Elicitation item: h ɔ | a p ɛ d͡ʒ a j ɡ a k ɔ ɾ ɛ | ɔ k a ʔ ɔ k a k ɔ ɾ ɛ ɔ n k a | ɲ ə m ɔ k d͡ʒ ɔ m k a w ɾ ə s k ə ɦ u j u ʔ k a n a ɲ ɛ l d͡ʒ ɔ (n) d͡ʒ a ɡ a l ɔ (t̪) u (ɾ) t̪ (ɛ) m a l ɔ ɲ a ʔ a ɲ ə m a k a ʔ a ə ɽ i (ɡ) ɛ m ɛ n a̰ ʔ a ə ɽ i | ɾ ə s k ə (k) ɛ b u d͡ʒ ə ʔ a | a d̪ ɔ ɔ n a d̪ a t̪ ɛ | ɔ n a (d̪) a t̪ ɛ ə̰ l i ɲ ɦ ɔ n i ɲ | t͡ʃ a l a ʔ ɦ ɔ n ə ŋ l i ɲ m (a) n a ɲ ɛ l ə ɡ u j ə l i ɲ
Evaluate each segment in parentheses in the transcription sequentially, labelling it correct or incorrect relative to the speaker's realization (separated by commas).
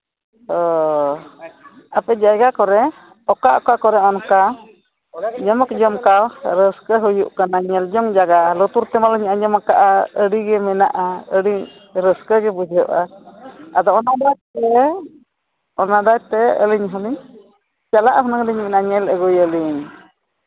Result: incorrect, correct, correct, correct, correct, incorrect, correct, incorrect